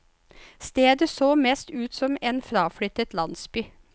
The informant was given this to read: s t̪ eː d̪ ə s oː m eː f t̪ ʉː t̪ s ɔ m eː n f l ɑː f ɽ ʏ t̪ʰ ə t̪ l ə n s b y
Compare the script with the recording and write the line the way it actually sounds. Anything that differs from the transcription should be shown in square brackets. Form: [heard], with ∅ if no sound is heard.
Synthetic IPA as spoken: s t̪ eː d̪ ə s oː m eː [s] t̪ ʉː t̪ s ɔ m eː n f [ɾ] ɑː f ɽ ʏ [t̪] ə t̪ l [ɑ] n s b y